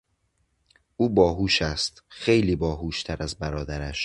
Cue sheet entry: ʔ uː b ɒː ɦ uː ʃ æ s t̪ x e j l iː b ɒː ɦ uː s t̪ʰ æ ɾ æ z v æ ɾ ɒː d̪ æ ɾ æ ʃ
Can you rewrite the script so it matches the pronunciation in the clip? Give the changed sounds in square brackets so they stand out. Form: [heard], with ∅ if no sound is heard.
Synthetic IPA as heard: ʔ uː b ɒː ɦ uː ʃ æ s t̪ x e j l iː b ɒː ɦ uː [ʃ] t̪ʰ æ ɾ æ z [b] æ ɾ ɒː d̪ æ ɾ æ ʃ